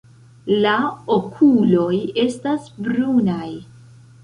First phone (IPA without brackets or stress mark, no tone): l